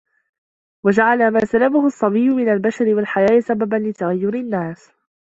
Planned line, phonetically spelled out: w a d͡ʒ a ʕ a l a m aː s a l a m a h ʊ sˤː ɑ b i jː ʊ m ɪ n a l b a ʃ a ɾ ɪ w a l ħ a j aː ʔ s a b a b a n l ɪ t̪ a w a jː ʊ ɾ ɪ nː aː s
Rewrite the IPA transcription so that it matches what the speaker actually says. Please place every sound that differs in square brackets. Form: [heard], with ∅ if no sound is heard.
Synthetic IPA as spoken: w a d͡ʒ a ʕ a l a m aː s a l a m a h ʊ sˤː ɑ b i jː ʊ m ɪ n a l b a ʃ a ɾ ɪ w a l ħ a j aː ʔ s a b a b a n l ɪ t̪ a [ɣ] a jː ʊ ɾ ɪ nː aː s